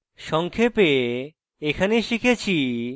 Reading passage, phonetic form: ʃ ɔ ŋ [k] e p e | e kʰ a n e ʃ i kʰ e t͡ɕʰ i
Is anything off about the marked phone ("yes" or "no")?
yes